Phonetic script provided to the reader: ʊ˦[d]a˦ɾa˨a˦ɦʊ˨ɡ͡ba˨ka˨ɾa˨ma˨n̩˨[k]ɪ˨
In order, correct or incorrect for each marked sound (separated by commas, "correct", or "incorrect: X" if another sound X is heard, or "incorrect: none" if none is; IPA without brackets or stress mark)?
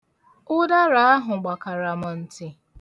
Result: correct, incorrect: t